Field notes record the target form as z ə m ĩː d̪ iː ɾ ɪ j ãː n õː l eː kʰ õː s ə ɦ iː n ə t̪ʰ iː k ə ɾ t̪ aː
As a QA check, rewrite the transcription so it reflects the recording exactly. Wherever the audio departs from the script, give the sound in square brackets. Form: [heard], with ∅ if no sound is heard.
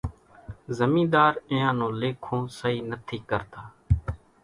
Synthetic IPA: z ə m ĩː d̪ [aː] ɾ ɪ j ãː n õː l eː kʰ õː s ə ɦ iː n ə t̪ʰ iː k ə ɾ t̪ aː